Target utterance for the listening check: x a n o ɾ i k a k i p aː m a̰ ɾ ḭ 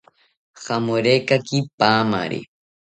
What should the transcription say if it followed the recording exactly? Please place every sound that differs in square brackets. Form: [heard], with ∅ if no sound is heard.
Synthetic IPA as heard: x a [m] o ɾ [e] k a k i p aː m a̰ ɾ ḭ